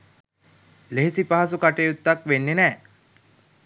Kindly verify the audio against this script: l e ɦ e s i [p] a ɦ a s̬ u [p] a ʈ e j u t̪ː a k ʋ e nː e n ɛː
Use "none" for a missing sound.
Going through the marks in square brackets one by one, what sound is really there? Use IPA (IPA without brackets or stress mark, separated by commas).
p, k